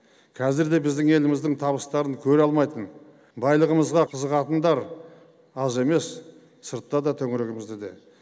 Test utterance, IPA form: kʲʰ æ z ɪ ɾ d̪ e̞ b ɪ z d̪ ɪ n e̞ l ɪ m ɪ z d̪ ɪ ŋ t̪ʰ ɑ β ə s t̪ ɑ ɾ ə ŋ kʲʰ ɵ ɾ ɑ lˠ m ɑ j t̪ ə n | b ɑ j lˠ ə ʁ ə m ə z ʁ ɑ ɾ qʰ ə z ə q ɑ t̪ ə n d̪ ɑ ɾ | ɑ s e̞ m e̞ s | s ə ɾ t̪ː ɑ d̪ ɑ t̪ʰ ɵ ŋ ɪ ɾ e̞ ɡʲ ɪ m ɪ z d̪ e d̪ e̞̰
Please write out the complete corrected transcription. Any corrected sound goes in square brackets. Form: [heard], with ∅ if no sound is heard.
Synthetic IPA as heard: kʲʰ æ z ɪ ɾ d̪ e̞ b ɪ z d̪ ɪ [ŋ] e̞ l ɪ m ɪ z d̪ ɪ ŋ t̪ʰ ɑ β ə s t̪ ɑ ɾ ə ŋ kʲʰ ɵ ɾ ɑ lˠ m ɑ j t̪ ə n | b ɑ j lˠ ə ʁ ə m ə z ʁ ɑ [∅] qʰ ə z ə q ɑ t̪ ə n d̪ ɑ ɾ | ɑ [z] e̞ m e̞ s | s ə ɾ t̪ː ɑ d̪ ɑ t̪ʰ ɵ ŋ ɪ ɾ e̞ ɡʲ ɪ m ɪ z d̪ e d̪ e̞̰